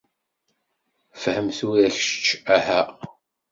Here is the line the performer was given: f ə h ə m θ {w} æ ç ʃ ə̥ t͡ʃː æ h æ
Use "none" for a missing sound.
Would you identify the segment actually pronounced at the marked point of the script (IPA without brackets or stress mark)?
u